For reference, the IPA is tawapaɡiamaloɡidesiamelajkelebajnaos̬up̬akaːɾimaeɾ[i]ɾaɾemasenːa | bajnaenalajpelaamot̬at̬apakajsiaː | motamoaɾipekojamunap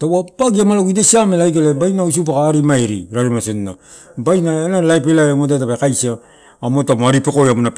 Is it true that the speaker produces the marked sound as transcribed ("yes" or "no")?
yes